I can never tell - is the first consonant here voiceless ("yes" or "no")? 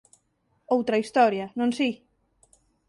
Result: no